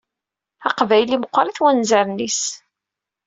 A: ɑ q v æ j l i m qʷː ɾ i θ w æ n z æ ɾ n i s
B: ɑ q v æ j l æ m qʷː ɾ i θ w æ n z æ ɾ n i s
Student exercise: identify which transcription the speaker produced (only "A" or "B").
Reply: A